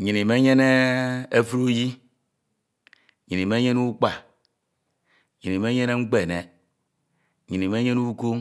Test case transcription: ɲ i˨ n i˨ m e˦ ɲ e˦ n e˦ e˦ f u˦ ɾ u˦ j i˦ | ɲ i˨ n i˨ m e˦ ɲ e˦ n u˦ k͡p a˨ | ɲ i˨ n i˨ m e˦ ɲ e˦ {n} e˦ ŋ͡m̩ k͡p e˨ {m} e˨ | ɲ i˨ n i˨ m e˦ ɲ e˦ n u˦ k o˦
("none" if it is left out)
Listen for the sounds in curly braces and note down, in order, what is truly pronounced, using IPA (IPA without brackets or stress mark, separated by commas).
n, n